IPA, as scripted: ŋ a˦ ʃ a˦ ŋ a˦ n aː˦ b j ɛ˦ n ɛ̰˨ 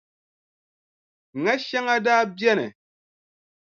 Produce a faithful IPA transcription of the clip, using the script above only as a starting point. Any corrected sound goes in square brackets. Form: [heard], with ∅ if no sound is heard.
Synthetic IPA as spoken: ŋ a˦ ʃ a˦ ŋ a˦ [d] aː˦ b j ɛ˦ n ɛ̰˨